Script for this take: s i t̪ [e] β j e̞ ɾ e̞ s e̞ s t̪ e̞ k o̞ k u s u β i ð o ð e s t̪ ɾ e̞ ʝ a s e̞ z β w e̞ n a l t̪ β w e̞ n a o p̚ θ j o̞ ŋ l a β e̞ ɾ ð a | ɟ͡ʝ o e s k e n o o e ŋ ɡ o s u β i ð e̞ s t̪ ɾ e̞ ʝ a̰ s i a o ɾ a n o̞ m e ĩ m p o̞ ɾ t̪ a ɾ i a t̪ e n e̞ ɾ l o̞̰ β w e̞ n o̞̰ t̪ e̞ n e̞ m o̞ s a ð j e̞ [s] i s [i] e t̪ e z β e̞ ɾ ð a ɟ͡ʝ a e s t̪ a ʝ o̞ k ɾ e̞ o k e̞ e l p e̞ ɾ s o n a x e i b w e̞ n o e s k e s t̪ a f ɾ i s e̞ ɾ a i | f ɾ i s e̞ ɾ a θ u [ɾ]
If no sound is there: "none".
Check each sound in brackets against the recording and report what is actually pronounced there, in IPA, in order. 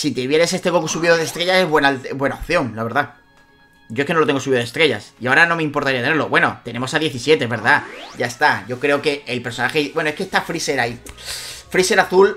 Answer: e, θ, j, l

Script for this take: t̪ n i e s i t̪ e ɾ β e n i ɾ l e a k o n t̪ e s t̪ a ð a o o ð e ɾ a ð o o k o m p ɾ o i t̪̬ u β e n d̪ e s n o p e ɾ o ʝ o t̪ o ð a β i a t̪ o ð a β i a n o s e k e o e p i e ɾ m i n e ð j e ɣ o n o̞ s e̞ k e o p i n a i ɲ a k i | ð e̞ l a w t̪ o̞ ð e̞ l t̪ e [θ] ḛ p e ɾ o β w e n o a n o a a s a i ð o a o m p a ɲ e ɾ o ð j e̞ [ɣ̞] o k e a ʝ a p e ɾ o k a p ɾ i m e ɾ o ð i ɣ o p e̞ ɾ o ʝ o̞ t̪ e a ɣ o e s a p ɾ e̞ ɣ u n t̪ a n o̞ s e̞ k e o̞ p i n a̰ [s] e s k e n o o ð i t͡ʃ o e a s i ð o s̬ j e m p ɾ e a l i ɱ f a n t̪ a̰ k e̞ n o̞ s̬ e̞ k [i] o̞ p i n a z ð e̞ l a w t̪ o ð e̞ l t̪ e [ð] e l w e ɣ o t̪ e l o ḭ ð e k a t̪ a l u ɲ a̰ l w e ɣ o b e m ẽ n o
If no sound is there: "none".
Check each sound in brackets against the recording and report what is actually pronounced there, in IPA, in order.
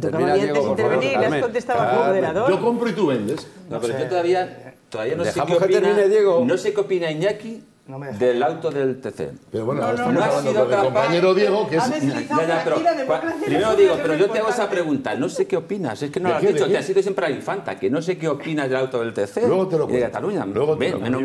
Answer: θ, ɣ̞, s, e, θ

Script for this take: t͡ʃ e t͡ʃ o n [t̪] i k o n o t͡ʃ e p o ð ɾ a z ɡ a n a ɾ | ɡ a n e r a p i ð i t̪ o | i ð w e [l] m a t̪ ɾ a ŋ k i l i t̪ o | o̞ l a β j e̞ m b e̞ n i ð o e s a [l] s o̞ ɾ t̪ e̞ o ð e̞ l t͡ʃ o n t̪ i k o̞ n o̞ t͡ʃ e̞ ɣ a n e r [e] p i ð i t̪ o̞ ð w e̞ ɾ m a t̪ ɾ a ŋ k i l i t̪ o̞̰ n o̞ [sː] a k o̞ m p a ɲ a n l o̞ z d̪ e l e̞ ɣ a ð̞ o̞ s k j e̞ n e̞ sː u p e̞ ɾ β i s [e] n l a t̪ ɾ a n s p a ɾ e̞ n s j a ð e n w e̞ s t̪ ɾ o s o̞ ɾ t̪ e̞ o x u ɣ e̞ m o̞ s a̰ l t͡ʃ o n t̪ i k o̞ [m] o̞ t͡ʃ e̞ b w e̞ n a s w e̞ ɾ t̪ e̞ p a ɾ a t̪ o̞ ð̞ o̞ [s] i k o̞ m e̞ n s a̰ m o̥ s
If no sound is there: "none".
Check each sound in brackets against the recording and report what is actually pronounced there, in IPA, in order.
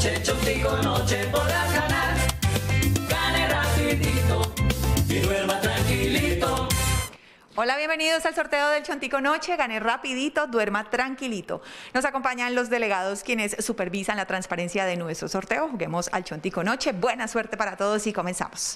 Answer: t̪, ɾ, l, a, s, a, n, s

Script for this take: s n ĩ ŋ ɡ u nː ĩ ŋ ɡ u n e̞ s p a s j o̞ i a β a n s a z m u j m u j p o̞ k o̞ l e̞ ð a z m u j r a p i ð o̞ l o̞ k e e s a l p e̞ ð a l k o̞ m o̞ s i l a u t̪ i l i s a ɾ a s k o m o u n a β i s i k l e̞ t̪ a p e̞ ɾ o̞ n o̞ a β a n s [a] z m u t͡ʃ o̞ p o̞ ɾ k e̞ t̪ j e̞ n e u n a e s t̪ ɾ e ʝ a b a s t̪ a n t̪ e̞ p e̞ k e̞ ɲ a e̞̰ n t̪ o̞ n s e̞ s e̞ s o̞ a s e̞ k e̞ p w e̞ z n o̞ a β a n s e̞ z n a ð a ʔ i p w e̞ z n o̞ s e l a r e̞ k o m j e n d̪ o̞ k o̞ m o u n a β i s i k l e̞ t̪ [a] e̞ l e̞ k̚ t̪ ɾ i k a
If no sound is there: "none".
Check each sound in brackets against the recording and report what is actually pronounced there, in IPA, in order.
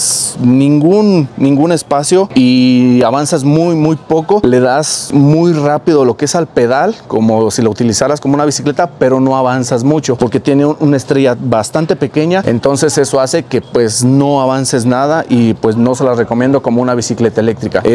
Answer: a, a

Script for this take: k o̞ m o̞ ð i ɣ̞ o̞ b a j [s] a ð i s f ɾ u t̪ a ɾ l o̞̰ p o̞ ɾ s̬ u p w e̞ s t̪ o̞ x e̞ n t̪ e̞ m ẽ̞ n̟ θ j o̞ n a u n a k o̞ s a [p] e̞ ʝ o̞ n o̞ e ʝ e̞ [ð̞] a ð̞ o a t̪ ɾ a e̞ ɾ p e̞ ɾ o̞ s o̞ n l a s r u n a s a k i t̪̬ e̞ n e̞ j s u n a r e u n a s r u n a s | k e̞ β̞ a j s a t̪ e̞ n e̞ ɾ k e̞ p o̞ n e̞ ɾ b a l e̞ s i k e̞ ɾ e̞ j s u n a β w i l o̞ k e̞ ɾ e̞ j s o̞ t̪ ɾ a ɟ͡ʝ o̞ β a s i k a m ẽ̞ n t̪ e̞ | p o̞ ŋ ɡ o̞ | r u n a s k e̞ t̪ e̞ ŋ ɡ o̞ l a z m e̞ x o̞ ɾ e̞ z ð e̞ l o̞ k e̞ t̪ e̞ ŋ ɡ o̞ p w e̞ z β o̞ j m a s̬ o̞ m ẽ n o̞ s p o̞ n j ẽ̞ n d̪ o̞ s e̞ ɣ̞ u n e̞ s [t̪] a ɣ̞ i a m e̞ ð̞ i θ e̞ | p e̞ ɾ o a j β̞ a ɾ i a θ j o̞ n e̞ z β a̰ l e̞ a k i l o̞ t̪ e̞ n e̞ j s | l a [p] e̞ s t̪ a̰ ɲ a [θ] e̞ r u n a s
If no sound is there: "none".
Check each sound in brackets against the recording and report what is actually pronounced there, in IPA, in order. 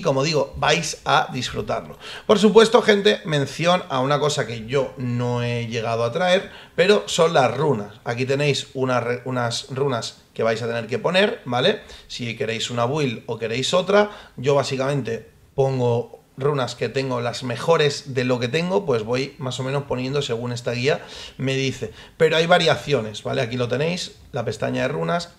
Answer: s, k, ɣ̞, t̪, p, ð

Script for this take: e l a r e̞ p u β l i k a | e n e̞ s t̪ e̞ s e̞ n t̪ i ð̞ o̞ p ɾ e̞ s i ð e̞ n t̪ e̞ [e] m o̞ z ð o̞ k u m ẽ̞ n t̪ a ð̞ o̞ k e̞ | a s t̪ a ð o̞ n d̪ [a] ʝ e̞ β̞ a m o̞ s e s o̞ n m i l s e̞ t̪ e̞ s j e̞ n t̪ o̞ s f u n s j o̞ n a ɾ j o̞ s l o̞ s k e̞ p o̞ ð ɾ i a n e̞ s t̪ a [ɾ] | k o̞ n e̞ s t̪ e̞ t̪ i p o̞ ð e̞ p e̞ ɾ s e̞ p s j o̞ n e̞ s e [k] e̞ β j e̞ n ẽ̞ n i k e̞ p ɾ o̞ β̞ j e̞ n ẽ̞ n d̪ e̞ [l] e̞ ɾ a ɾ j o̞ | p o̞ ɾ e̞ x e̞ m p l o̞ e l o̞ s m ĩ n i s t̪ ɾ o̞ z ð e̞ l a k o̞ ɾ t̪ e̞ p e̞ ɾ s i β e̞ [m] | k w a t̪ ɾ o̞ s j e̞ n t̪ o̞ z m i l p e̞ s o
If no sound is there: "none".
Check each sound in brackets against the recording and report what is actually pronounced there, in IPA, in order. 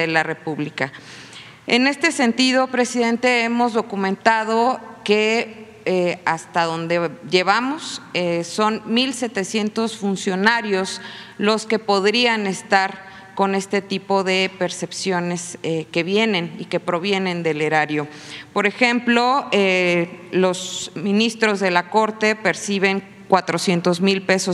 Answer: e, e, ɾ, k, l, ŋ

